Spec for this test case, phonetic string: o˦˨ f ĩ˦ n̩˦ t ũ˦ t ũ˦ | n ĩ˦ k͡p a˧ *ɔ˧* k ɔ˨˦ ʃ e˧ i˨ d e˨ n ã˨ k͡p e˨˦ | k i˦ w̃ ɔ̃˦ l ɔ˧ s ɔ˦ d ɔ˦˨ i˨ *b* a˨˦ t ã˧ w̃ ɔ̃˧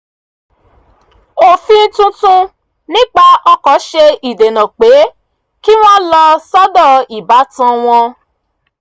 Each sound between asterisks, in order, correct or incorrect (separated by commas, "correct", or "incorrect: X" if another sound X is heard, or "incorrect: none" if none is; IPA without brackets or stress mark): correct, correct